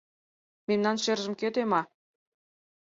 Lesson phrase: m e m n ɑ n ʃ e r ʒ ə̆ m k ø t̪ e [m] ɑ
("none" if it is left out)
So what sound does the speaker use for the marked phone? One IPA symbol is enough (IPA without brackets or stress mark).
m